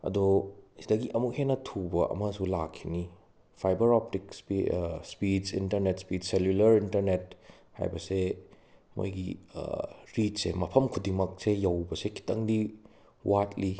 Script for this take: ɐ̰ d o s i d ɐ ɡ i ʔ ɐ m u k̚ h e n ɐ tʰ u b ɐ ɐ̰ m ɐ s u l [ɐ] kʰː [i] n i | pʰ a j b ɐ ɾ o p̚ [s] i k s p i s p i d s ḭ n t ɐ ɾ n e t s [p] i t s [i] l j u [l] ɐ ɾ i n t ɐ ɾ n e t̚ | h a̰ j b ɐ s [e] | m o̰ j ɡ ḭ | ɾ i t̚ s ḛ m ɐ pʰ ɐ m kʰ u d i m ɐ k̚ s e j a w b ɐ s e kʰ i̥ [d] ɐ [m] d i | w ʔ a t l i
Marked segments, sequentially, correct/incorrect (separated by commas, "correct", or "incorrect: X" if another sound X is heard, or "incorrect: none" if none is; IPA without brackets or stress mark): incorrect: a, correct, incorrect: t, correct, incorrect: e, correct, correct, incorrect: t, incorrect: ŋ